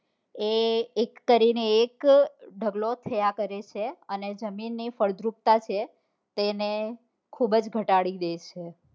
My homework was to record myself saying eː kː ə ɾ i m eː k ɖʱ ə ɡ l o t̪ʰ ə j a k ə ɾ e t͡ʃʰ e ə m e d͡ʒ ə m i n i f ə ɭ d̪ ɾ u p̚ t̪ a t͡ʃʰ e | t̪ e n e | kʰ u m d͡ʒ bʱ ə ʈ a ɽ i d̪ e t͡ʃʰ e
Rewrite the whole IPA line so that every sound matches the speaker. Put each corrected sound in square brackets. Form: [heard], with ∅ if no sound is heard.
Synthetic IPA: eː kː ə ɾ i [n] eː k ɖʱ ə ɡ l o t̪ʰ ə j a k ə ɾ e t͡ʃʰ e ə [n] e d͡ʒ ə m i [nː] i f ə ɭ d̪ ɾ u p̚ t̪ a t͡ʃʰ e | t̪ e n e | kʰ u [b] d͡ʒ [ɡʱ] ə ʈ a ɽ i d̪ e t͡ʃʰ e